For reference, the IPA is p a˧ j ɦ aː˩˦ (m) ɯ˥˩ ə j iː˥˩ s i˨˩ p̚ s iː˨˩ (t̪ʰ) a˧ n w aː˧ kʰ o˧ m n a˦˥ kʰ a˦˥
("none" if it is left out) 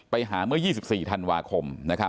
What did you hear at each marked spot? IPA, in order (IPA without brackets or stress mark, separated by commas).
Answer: m, t̪ʰ